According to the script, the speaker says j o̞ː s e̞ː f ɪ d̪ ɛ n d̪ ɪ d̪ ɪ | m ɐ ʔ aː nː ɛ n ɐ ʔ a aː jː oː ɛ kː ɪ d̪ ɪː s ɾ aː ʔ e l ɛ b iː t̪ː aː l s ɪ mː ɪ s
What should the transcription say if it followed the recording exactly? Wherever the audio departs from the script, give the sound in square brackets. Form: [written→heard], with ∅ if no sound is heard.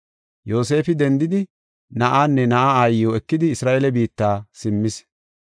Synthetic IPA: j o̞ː s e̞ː f ɪ d̪ ɛ n d̪ ɪ d̪ ɪ | [m→n] ɐ ʔ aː nː ɛ n ɐ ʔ a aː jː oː ɛ kː ɪ d̪ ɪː s ɾ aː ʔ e l ɛ b iː t̪ː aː [l→∅] s ɪ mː ɪ s